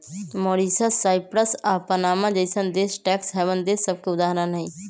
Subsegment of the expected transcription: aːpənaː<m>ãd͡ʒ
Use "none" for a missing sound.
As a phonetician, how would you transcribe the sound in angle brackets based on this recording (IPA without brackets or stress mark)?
m